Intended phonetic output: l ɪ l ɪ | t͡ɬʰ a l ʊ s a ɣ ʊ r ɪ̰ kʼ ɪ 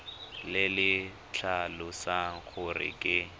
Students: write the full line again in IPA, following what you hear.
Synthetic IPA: l ɪ l ɪ | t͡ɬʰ a l ʊ s a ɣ ʊ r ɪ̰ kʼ ɪ